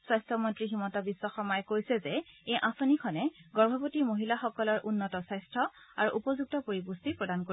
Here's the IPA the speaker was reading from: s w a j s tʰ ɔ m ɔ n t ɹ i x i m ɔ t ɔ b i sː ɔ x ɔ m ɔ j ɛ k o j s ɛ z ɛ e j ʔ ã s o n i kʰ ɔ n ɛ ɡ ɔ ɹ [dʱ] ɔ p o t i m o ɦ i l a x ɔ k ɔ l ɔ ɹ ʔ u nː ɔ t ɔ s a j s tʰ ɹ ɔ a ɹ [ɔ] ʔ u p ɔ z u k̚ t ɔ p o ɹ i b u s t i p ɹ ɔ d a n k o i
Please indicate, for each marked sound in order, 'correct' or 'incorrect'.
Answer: incorrect, incorrect

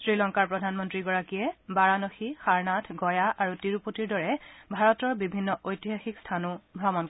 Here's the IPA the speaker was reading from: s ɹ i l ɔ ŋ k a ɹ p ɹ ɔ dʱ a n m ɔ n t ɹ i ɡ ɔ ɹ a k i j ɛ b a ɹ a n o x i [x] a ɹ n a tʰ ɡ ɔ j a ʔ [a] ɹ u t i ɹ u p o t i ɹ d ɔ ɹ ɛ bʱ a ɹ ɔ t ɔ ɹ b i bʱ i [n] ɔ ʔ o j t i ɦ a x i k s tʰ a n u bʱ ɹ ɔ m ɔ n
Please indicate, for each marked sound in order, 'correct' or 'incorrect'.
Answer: correct, correct, incorrect

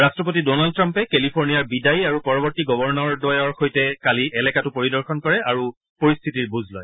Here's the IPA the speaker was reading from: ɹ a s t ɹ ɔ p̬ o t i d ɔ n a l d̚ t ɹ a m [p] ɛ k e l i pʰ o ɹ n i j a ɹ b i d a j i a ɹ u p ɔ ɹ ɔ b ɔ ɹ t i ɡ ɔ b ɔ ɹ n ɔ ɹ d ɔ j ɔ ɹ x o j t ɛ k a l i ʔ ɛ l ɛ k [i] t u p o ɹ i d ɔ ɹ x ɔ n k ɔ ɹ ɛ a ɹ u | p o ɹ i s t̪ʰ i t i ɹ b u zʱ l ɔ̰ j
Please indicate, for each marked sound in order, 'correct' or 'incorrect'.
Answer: correct, incorrect

